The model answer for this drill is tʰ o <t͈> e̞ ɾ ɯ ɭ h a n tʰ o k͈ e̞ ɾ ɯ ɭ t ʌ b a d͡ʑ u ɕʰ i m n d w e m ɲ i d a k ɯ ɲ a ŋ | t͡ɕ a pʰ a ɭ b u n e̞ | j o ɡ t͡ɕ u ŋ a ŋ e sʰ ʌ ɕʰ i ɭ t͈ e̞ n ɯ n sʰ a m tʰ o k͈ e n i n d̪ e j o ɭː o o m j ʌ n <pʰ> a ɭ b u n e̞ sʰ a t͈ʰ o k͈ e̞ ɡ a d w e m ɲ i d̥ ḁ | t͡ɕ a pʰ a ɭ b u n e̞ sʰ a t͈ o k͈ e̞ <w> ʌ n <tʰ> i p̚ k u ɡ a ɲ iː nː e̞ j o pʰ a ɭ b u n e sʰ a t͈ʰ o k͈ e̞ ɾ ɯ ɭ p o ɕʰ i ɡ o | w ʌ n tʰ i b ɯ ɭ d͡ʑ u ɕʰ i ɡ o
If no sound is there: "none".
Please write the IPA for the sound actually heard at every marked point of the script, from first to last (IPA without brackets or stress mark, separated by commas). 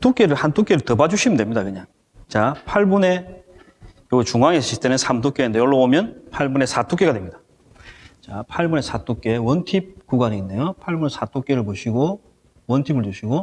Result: k͈, pʰ, w, tʰ